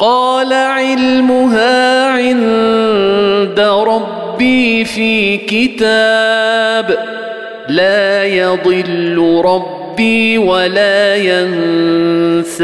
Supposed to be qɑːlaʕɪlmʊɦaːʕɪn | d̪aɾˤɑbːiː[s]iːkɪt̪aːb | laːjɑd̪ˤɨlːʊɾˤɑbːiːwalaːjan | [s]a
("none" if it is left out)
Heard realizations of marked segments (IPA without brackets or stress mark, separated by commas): f, s